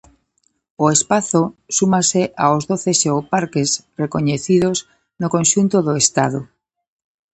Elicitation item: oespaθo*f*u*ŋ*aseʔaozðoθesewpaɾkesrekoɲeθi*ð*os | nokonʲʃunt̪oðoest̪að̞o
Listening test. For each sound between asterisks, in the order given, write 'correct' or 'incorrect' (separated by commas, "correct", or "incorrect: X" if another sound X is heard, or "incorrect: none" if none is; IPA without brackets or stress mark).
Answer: incorrect: s, incorrect: m, correct